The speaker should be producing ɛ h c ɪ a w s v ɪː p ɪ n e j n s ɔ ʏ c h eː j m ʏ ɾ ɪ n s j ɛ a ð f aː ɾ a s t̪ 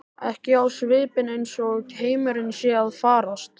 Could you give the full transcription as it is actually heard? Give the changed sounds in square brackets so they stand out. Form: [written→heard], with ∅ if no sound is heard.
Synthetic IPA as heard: ɛ h c ɪ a w s v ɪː p ɪ n e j n s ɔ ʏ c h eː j m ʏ ɾ ɪ n s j ɛ a ð f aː ɾ a s t̪